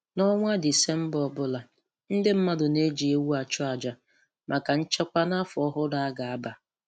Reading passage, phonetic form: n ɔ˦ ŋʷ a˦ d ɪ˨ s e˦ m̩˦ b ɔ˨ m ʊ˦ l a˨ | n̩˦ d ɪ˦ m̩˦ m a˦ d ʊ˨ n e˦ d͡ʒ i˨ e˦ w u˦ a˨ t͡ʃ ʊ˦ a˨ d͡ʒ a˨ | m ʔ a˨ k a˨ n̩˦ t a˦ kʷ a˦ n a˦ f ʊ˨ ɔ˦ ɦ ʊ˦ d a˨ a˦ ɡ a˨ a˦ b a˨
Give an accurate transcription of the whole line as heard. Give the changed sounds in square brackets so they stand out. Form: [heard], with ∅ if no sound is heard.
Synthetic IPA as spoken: n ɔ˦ ŋʷ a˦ d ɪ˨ s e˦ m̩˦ b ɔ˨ [b] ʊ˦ l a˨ | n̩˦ d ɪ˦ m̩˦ m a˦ d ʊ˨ n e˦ d͡ʒ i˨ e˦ w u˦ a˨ t͡ʃ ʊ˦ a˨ d͡ʒ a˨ | m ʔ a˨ k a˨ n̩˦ [t͡ʃ] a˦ kʷ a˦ n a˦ f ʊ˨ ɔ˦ ɦ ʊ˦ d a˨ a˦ ɡ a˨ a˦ b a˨